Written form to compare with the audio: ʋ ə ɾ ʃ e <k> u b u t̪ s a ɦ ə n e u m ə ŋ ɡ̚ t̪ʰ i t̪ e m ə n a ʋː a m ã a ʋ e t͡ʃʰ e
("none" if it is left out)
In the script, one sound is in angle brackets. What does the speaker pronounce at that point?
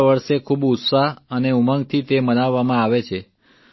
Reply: kʰ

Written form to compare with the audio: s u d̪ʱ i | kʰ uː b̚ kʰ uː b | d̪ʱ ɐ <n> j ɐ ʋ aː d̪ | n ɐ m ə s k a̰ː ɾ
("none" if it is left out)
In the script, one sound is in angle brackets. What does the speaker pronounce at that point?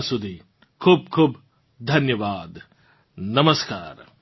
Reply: n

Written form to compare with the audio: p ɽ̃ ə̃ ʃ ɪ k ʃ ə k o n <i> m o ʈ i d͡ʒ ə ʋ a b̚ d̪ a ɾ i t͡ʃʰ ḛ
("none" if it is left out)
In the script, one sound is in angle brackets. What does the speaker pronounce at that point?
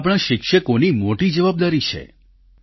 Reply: i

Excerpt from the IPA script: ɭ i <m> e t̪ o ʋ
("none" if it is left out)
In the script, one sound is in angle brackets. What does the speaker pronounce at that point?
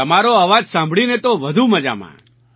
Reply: n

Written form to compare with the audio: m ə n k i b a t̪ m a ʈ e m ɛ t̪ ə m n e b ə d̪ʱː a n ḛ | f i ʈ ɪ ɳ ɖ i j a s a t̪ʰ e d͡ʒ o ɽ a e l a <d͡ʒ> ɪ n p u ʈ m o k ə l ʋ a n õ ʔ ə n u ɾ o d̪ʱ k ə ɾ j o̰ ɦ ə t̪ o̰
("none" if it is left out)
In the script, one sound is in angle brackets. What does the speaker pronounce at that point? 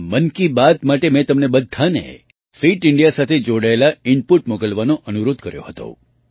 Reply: none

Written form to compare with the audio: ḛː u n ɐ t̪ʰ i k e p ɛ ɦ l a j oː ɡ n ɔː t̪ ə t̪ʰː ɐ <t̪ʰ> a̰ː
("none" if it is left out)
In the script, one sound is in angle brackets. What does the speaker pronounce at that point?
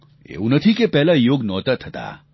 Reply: t̪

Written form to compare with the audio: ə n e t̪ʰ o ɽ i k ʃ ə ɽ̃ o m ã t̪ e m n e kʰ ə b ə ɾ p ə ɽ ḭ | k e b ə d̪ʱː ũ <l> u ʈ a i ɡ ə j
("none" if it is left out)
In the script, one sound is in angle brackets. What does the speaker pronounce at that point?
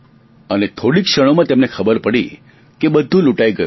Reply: l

